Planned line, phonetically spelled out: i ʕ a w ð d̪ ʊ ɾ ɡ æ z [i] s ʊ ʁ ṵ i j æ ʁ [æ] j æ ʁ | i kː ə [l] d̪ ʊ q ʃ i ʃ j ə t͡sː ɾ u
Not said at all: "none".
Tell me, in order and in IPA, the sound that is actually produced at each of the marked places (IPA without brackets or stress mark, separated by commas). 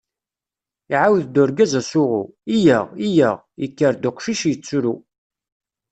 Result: æ, i, ɾ